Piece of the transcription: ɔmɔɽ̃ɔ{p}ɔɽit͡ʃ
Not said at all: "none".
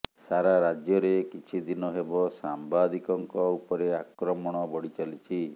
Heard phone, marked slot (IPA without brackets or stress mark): b